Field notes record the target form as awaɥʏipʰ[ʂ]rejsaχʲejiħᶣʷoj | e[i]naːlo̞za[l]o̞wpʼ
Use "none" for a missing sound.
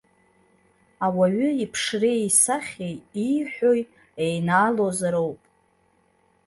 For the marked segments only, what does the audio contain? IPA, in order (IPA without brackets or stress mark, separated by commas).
ʂ, j, ɾ